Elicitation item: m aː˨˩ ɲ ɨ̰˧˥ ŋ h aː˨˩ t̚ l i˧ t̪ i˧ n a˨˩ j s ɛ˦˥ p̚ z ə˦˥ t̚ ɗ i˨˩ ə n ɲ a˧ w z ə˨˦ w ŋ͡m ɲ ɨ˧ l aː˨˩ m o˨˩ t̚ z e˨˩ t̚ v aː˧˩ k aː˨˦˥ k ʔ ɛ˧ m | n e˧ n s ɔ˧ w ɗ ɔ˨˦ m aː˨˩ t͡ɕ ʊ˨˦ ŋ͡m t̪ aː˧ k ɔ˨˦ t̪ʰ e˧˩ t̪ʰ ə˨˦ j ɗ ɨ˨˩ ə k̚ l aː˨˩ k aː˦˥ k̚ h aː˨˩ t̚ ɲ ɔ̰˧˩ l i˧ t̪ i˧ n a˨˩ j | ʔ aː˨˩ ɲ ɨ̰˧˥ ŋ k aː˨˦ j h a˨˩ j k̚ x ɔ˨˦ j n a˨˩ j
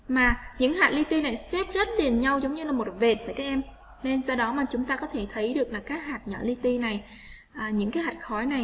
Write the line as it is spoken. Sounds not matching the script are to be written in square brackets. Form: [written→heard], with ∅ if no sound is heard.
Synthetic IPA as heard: m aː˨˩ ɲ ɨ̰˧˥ ŋ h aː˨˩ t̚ l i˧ t̪ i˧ n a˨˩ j s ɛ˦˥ p̚ z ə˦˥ t̚ ɗ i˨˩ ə n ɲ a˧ w z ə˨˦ w ŋ͡m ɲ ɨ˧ l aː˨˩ m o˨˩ t̚ [z→v] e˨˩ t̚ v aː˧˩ k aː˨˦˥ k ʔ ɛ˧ m | n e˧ n s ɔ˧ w ɗ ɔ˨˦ m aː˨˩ t͡ɕ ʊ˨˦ ŋ͡m t̪ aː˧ k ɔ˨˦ t̪ʰ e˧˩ t̪ʰ ə˨˦ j ɗ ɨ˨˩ ə k̚ l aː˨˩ k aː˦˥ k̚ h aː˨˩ t̚ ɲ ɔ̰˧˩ l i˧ t̪ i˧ n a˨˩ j | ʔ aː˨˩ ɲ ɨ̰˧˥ ŋ k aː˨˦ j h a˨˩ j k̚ x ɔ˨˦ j n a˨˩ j